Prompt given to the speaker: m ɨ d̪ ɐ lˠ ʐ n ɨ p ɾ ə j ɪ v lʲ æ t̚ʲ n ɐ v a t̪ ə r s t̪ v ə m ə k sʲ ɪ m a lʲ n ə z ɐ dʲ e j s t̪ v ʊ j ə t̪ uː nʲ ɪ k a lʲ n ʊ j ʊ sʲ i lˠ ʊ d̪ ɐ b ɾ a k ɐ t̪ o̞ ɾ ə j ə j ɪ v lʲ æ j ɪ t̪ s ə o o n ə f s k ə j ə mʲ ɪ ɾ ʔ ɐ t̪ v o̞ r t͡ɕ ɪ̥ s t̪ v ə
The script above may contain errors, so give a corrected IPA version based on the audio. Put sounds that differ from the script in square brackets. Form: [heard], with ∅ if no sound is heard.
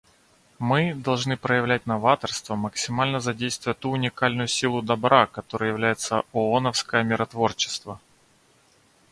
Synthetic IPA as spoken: m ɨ d̪ ɐ lˠ ʐ n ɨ p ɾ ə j ɪ v lʲ æ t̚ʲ n ɐ v a t̪ ə r s t̪ v ə m ə k sʲ ɪ m a lʲ n ə z ɐ dʲ e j s t̪ v ʊ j ə t̪ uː nʲ ɪ k a lʲ n ʊ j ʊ sʲ i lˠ ʊ d̪ ɐ b ɾ a k ɐ t̪ o̞ ɾ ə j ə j ɪ v lʲ æ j ɪ t̪ s ə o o n ə f s k ə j ə mʲ ɪ ɾ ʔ ɐ t̪ v o̞ r t͡ɕ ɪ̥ s t̪ v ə